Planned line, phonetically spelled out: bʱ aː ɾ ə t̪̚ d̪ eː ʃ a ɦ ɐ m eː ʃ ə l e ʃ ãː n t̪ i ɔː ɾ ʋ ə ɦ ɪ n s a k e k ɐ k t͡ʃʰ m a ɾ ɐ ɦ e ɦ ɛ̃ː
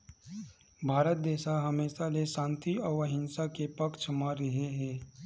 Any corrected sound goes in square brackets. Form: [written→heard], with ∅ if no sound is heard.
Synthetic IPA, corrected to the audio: bʱ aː ɾ ə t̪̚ d̪ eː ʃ a ɦ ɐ m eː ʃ [ə→a] l e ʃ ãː n t̪ i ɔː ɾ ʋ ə ɦ ɪ n s a k e [k→p] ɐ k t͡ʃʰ m a ɾ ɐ ɦ e ɦ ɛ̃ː